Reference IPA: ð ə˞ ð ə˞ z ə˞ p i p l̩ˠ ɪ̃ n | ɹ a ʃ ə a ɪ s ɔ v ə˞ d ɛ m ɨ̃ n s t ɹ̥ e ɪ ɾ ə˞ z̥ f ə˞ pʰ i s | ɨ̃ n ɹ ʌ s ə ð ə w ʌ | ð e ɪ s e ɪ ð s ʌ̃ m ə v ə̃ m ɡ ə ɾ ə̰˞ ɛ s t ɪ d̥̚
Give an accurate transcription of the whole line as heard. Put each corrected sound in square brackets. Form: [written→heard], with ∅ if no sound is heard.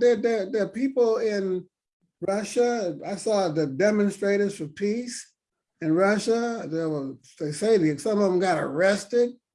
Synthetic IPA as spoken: ð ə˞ ð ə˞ [z→ð] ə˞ p i p l̩ˠ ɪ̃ n | ɹ [a→ʌ] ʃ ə a ɪ s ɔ [v→ð] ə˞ d ɛ m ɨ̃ n s t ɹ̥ e ɪ ɾ ə˞ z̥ f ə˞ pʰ i s | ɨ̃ n ɹ ʌ [s→ʃ] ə ð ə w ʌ | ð e ɪ s e ɪ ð s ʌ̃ m [ə→ʌ] v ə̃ m ɡ [ə→ɑ] ɾ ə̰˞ ɛ s t ɪ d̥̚

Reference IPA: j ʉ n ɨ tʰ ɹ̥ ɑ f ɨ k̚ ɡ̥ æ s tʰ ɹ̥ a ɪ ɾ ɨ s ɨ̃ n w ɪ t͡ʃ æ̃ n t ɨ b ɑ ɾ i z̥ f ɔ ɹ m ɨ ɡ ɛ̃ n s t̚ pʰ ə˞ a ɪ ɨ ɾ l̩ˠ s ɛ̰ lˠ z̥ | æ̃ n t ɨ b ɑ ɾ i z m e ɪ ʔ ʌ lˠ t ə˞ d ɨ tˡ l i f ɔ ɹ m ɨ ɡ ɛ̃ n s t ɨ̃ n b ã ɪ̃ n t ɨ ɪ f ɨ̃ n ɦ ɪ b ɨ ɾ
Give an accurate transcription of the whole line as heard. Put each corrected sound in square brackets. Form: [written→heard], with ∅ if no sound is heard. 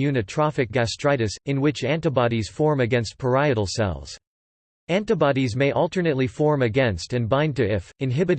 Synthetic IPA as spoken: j ʉ n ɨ tʰ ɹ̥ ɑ f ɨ k̚ ɡ̥ æ s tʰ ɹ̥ a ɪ ɾ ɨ s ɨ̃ n w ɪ t͡ʃ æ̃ n t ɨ b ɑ ɾ i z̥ f ɔ ɹ m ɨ ɡ ɛ̃ n s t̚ pʰ ə˞ a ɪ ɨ ɾ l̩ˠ s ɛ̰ lˠ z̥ | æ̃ n t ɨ b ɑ ɾ i z m e ɪ ʔ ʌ lˠ t ə˞ [d→n] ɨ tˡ l i f ɔ ɹ m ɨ ɡ ɛ̃ n s t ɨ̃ n b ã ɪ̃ n t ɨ ɪ f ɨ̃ n ɦ ɪ b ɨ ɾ

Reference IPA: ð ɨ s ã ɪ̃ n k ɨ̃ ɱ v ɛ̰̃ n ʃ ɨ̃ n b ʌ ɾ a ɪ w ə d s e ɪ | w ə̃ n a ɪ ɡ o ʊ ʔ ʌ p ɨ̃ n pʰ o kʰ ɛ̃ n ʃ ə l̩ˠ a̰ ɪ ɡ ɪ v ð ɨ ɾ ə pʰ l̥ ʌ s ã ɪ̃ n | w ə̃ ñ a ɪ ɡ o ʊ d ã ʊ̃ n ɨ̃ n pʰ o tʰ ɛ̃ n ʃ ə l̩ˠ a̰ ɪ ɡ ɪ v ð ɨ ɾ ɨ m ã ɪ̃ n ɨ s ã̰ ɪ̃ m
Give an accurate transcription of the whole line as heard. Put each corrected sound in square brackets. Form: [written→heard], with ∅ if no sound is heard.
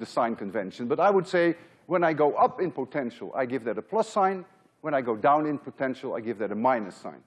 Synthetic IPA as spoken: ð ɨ s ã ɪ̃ n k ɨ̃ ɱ v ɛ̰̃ n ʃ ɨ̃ n b ʌ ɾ a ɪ w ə d s e ɪ | w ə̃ n a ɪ ɡ o ʊ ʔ ʌ p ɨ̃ n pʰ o [kʰ→tʰ] ɛ̃ n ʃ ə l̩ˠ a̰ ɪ ɡ ɪ v ð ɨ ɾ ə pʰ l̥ ʌ s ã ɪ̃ n | w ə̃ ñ a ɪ ɡ o ʊ d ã ʊ̃ n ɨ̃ n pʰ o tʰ ɛ̃ n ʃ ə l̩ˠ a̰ ɪ ɡ ɪ v ð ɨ ɾ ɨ m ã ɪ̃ n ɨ s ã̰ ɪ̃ [m→n]

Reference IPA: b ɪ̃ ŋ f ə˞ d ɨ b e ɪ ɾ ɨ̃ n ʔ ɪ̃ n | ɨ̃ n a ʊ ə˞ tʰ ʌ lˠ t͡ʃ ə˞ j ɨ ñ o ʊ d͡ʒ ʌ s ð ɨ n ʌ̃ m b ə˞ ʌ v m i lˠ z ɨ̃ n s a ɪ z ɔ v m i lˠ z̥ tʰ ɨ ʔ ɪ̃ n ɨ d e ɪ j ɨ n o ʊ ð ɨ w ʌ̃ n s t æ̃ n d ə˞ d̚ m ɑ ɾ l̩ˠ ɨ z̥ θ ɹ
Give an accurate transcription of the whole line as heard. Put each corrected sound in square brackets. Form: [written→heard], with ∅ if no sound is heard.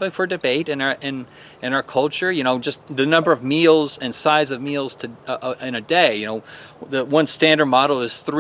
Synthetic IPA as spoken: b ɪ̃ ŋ f ə˞ d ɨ b e ɪ ɾ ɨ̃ n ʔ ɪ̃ n | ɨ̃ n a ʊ ə˞ [tʰ→kʰ] ʌ lˠ t͡ʃ ə˞ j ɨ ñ o ʊ d͡ʒ ʌ s ð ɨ n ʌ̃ m b ə˞ ʌ v m i lˠ z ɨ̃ n s a ɪ z [ɔ→ʌ] v m i lˠ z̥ tʰ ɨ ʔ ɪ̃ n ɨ d e ɪ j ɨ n o ʊ ð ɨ w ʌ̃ n s t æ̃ n d ə˞ d̚ m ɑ ɾ l̩ˠ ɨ z̥ θ ɹ

